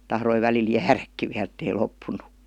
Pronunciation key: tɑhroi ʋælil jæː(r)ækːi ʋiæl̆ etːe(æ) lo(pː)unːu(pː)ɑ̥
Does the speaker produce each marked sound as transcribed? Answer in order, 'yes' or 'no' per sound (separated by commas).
yes, no, yes, no